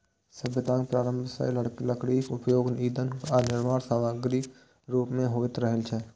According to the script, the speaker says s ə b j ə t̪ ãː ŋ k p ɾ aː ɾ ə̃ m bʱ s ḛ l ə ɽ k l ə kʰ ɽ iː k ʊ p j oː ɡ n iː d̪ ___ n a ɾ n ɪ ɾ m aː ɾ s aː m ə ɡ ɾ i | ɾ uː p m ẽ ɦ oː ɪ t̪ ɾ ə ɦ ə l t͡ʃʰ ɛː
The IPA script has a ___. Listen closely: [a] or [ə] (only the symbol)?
ə